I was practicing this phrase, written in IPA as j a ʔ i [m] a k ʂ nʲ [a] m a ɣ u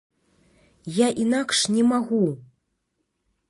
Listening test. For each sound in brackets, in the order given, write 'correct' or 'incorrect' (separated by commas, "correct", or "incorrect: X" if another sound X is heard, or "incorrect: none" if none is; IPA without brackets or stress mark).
incorrect: n, incorrect: ɛ